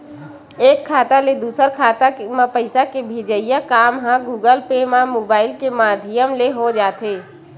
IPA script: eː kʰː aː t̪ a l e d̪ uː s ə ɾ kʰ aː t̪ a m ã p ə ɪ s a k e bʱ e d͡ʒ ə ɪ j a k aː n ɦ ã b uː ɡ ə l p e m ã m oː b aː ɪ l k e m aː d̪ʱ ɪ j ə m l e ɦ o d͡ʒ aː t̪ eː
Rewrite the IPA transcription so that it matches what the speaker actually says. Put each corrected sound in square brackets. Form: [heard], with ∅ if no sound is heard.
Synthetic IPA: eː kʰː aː t̪ a l e d̪ uː s ə ɾ kʰ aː t̪ a m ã p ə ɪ s a k e bʱ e d͡ʒ ə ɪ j a k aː [m] ɦ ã [ɡ] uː ɡ ə l p e m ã m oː b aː ɪ l k e m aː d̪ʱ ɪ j ə m l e ɦ o d͡ʒ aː t̪ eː